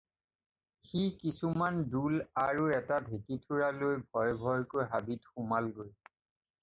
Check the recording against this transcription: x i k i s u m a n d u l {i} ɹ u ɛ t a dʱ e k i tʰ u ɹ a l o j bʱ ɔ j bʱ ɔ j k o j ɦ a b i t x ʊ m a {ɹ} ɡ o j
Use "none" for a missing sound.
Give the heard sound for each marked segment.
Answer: a, l

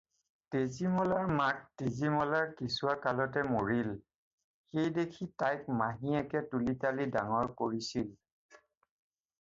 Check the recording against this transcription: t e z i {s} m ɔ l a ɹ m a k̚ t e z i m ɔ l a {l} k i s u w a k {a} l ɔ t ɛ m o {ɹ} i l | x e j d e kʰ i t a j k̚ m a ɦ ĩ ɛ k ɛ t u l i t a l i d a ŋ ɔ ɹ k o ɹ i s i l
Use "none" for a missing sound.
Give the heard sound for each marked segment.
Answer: none, ɹ, a, ɹ

